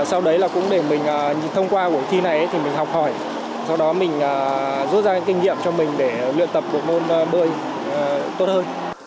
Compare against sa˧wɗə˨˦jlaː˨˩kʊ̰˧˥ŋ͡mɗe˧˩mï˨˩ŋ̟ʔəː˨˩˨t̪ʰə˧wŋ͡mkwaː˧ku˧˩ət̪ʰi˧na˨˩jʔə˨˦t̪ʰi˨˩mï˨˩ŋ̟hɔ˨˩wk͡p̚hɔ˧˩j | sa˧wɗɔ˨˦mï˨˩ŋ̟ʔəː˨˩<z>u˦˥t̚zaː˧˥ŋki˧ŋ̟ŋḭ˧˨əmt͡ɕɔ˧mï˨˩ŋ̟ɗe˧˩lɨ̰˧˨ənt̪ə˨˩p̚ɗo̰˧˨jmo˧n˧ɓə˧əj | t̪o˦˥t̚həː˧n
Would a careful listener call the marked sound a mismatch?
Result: no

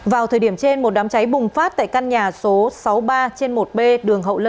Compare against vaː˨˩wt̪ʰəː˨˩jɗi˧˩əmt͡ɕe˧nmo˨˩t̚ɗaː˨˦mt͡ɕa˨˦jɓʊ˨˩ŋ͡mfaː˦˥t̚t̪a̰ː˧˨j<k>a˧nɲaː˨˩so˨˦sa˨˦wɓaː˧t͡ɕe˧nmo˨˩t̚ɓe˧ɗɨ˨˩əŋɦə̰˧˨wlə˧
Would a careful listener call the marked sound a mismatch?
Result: no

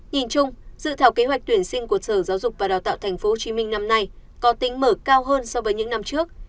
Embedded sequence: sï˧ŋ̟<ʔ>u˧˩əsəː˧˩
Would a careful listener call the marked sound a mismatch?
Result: yes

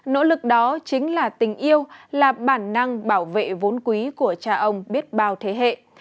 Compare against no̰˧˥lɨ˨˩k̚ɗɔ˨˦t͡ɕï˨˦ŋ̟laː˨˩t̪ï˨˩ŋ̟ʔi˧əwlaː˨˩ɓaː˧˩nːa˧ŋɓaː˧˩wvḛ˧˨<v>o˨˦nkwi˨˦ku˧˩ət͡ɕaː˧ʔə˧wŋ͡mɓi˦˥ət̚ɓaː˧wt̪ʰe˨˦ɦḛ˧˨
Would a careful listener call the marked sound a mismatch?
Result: no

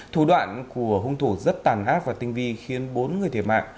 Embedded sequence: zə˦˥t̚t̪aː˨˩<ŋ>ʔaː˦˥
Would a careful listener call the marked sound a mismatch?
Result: yes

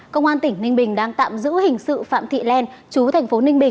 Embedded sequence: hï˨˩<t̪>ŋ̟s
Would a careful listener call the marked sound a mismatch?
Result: yes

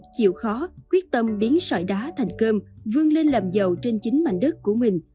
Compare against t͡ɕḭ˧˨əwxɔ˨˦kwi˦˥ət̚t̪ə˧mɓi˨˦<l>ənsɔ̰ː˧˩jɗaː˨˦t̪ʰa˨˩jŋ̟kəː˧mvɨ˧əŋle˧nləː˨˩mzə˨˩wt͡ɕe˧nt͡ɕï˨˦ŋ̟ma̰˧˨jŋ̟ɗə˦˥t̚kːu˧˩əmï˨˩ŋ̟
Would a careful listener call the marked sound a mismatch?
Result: yes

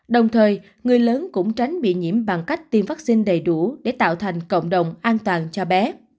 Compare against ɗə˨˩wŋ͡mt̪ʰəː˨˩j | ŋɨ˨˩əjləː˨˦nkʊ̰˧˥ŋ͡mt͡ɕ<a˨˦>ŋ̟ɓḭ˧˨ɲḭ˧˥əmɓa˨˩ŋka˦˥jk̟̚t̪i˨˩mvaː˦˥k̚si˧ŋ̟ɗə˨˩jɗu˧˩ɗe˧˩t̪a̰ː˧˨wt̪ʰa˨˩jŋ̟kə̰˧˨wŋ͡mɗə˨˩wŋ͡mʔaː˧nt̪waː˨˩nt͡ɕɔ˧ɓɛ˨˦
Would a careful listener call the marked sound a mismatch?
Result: no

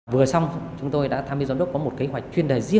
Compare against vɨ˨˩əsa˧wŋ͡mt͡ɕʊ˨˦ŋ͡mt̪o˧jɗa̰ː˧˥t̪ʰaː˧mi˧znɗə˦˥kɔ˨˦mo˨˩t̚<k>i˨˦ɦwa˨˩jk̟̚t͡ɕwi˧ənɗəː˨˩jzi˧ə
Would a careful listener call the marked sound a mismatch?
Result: no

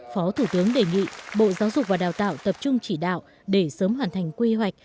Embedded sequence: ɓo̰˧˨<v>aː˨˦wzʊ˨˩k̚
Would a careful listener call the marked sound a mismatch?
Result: yes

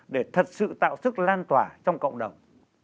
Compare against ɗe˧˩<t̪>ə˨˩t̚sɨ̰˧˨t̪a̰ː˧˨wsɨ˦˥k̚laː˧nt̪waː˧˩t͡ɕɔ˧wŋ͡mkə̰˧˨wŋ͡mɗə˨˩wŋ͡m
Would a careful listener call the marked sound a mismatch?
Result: yes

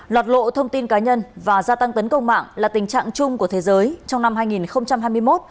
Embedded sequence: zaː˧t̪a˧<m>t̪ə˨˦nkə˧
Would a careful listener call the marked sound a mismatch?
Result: yes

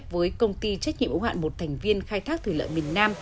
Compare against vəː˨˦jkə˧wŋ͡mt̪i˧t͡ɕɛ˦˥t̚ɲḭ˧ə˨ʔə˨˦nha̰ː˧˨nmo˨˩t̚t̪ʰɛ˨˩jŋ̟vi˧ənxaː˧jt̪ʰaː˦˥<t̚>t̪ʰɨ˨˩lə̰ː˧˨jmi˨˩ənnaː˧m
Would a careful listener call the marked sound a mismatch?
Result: yes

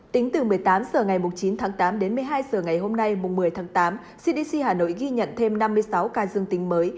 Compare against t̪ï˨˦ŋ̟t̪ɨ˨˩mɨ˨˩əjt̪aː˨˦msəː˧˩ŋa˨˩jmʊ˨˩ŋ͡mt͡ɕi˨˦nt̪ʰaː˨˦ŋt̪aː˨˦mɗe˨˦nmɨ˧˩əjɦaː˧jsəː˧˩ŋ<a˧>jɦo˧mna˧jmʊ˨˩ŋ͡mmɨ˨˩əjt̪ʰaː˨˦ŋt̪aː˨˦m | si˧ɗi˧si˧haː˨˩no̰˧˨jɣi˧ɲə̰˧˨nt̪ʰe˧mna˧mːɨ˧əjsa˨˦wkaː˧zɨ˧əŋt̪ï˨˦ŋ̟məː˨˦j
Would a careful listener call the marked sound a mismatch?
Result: yes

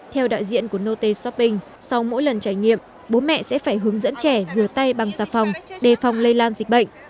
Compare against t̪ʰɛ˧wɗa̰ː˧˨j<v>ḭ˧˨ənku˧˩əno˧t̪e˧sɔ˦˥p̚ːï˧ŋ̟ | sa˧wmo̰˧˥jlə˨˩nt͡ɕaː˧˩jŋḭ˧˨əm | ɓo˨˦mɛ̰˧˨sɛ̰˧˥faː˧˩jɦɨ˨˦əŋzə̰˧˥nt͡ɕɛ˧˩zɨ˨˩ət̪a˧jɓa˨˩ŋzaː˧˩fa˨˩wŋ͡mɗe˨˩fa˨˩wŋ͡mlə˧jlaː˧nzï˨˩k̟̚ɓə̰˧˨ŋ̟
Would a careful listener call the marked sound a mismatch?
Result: yes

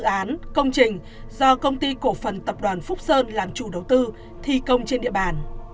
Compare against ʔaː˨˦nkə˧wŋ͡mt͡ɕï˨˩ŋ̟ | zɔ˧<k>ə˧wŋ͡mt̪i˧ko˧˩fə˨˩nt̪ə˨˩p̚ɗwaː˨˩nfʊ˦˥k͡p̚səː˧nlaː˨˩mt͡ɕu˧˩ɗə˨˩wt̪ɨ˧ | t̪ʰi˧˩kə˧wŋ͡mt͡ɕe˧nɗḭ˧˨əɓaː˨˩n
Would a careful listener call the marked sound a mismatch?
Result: no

